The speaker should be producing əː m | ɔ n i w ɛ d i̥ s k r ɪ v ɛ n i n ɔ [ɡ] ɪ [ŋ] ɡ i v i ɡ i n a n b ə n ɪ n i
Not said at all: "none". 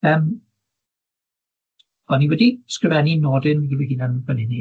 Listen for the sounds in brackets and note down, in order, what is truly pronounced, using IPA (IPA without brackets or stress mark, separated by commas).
d, n